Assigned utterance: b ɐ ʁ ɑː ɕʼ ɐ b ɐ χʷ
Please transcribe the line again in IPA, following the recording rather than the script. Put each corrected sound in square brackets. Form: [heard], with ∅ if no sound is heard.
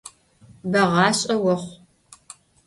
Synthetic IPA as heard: b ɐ ʁ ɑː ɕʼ ɐ [w] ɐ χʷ

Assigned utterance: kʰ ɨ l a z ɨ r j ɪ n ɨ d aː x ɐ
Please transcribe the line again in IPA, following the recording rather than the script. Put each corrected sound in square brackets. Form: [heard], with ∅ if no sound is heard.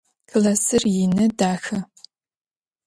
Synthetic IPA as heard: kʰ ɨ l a [s] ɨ r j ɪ n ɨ d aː x ɐ

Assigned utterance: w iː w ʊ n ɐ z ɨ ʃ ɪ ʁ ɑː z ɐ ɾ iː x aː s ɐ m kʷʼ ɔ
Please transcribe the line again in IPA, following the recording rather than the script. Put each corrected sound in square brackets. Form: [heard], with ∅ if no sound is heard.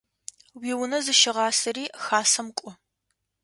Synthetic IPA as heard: w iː w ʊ n ɐ z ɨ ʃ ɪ ʁ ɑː [s] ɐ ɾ iː x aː s ɐ m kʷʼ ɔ

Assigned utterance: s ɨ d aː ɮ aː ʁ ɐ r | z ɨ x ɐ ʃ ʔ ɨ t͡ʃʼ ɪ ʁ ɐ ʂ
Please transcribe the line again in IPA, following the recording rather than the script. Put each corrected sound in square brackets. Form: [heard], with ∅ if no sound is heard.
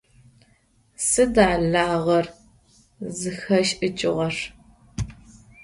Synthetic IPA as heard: s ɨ d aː ɮ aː ʁ ɐ r | z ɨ x ɐ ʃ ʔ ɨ t͡ʃʼ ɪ ʁ ɐ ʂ

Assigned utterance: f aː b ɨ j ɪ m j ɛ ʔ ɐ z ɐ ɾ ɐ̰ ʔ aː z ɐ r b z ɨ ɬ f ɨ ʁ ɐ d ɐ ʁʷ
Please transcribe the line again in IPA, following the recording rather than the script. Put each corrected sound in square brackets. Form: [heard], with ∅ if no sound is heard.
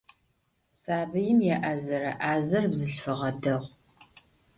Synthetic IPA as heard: [s] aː b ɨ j ɪ m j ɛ ʔ ɐ z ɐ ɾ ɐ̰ ʔ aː z ɐ r b z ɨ ɬ f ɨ ʁ ɐ d ɐ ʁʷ

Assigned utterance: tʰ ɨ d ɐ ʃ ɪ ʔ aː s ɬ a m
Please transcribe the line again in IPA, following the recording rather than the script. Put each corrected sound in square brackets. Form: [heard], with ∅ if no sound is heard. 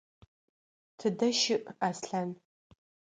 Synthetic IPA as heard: tʰ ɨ d ɐ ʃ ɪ ʔ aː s ɬ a [n]

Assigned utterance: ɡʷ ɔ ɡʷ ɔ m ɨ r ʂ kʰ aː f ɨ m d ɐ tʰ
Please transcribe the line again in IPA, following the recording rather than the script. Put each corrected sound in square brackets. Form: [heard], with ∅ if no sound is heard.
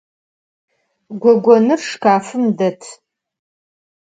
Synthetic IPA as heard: ɡʷ ɔ ɡʷ ɔ [n] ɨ r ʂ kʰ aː f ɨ m d ɐ tʰ

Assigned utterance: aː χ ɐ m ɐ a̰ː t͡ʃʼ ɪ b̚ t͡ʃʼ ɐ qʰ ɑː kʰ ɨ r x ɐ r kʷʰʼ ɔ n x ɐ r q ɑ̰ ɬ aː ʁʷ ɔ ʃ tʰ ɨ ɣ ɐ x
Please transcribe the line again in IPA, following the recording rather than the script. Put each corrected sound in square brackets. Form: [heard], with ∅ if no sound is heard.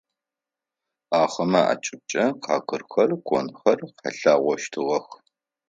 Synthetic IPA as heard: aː χ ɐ m ɐ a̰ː t͡ʃʼ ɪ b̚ t͡ʃʼ ɐ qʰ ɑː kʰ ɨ r x ɐ r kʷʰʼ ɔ n x ɐ r q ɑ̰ ɬ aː ʁʷ ɔ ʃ tʰ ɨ [ʁ] ɐ x

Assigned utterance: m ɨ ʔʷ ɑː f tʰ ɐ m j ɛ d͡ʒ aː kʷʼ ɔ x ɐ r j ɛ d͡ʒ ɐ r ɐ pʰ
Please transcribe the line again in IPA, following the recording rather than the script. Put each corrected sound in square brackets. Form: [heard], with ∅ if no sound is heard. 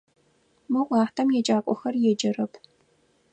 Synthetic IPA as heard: m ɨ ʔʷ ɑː [ħ] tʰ ɐ m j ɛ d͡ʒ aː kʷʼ ɔ x ɐ r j ɛ d͡ʒ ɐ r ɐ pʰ

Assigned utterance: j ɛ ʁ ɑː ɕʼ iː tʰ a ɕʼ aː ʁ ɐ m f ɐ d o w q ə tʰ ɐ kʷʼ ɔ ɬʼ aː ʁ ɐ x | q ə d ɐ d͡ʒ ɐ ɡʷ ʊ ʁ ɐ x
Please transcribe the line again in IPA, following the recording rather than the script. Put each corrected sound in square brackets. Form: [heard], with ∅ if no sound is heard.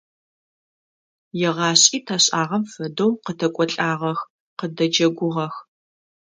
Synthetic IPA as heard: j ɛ ʁ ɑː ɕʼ iː tʰ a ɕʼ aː ʁ ɐ m f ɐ d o w q ə tʰ ɐ kʷʼ ɔ ɬʼ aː ʁ ɐ x | q ə d ɐ d͡ʒ ɐ ɡʷ ʊ ʁ ɐ x

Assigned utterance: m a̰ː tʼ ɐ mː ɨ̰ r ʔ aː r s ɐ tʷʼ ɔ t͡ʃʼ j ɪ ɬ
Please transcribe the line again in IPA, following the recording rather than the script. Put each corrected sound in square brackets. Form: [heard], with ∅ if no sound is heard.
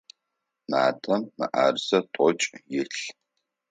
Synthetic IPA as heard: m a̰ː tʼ ɐ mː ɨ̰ [∅] ʔ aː r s ɐ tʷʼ ɔ t͡ʃʼ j ɪ ɬ

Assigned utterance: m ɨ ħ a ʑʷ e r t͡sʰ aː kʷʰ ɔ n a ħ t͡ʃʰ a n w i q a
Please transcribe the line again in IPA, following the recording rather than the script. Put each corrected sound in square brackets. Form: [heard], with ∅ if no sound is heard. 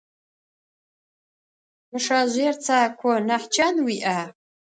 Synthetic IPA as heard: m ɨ [ʂ] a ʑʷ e r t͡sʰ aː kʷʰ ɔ n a ħ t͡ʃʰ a n w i [ʔ] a

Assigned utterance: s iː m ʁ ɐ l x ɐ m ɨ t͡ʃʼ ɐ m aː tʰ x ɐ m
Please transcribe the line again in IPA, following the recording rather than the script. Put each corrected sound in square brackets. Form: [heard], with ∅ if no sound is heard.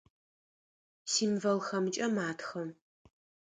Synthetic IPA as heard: s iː m [v] ɐ l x ɐ m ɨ t͡ʃʼ ɐ m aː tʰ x ɐ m

